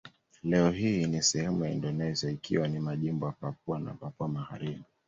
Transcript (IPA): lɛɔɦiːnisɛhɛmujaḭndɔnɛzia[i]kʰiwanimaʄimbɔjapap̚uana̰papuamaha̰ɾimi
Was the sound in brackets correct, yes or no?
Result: yes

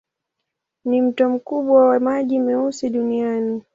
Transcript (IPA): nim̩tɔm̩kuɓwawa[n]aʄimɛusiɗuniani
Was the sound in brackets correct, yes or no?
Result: no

